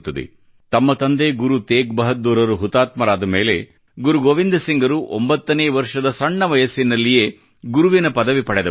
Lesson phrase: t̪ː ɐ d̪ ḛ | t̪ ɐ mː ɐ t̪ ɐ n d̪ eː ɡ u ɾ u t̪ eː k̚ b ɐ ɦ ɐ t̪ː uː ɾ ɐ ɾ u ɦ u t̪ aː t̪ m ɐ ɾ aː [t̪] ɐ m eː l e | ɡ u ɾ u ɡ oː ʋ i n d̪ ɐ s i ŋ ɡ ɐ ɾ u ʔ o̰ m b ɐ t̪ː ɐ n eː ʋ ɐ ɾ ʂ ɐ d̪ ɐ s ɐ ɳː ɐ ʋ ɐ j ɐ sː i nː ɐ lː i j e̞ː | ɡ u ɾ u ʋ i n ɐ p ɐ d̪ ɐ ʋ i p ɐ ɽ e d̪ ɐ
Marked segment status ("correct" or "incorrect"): incorrect